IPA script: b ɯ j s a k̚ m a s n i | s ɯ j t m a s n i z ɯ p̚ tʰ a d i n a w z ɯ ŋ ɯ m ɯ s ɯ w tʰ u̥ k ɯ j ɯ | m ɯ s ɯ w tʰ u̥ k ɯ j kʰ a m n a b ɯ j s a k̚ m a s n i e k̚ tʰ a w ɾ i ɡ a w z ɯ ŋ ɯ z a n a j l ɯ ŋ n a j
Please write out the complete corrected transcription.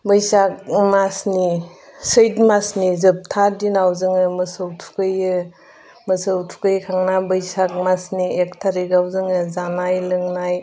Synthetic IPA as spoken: b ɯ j s a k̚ m a s n i | s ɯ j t m a s n i z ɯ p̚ tʰ a d i n a w z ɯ ŋ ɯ m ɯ s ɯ w tʰ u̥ k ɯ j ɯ | m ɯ s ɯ w tʰ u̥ k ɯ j kʰ a ŋ n a b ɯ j s a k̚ m a s n i e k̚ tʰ a ɾ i ɡ a w z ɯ ŋ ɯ z a n a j l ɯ ŋ n a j